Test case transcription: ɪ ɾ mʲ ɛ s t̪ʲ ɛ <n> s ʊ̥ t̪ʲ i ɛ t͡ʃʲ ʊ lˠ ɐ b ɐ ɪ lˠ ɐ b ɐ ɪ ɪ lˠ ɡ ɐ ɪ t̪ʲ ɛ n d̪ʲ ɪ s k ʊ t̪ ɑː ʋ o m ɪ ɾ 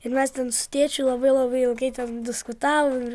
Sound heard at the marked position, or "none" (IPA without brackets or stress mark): n